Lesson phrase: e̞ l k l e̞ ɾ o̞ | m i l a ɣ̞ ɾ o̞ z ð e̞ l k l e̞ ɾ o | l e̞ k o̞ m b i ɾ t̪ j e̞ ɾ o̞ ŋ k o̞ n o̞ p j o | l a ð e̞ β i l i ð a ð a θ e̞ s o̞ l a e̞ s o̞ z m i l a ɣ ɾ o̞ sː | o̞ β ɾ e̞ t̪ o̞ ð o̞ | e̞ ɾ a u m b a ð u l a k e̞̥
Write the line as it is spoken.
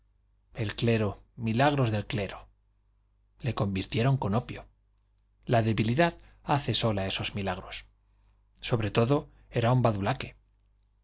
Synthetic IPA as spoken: e̞ l k l e̞ ɾ o̞ | m i l a ɣ̞ ɾ o̞ z ð e̞ l k l e̞ ɾ o | l e̞ k o̞ m b i ɾ t̪ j e̞ ɾ o̞ ŋ k o̞ n o̞ p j o | l a ð e̞ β i l i ð a ð a θ e̞ s o̞ l a e̞ s o̞ z m i l a ɣ ɾ o̞ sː | o̞ β ɾ e̞ t̪ o̞ ð o̞ | e̞ ɾ a u m b a ð u l a k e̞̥